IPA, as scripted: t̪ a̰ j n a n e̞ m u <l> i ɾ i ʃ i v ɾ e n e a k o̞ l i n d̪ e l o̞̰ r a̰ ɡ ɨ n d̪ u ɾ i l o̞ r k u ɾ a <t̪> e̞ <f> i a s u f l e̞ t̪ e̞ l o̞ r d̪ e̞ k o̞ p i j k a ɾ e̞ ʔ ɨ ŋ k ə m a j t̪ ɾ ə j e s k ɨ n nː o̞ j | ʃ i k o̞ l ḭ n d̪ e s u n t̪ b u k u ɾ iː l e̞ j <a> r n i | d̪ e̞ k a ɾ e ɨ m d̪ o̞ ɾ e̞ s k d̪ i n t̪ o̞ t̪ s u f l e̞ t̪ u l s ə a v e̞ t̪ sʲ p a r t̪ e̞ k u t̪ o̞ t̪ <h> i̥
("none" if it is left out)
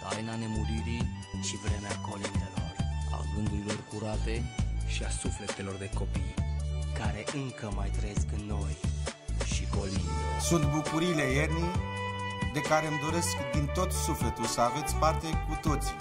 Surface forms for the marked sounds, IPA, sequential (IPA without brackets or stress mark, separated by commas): ɾ, t̪, ʃ, e, s